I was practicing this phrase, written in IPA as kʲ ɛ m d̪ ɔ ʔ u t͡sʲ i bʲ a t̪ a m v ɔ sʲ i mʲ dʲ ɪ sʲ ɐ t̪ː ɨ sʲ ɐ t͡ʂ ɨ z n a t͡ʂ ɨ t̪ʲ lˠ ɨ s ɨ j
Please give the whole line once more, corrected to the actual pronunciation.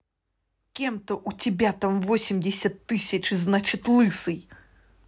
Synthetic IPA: kʲ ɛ m t̪ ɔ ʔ u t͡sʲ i bʲ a t̪ a m v ɔ sʲ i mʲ dʲ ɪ sʲ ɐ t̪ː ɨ sʲ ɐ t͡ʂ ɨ z n a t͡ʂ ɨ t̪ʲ lˠ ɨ s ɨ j